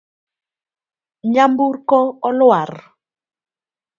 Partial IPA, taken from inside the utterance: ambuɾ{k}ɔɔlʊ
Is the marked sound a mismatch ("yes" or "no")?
no